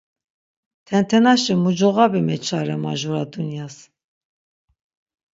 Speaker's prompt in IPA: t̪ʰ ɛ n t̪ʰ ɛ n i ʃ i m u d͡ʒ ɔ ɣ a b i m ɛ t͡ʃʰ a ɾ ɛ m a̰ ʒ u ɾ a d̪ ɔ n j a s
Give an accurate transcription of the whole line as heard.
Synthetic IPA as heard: t̪ʰ ɛ n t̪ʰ ɛ n a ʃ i m u d͡ʒ ɔ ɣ a b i m ɛ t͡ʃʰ a ɾ ɛ m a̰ ʒ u ɾ a d̪ u n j a s